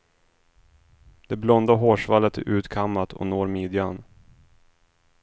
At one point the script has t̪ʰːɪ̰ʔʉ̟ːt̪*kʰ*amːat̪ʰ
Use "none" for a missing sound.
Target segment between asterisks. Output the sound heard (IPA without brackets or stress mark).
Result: kʰ